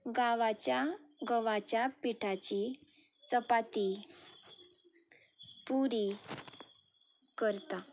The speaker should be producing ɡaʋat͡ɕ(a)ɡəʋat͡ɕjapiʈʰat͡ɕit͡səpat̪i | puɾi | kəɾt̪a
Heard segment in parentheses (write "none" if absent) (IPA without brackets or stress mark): a